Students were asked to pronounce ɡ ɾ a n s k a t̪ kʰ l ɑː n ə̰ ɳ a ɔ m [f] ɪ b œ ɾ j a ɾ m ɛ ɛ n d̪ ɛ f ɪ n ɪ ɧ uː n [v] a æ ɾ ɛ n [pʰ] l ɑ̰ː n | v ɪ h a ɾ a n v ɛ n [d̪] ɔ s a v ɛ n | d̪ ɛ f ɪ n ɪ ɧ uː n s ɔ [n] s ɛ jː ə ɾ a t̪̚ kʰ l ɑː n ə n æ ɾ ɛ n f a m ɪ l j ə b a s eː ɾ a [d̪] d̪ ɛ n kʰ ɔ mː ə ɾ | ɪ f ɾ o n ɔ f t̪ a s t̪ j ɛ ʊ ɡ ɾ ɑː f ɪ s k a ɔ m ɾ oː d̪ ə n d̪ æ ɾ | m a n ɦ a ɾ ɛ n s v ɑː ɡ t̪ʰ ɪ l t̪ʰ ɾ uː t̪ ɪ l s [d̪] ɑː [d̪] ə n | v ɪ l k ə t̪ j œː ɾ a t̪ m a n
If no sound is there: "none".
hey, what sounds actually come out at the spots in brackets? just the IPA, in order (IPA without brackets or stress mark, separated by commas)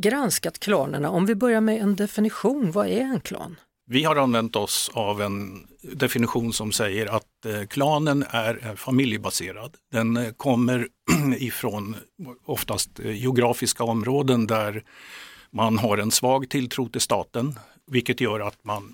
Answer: v, v, kʰ, t̪, m, d̪, t̪, t̪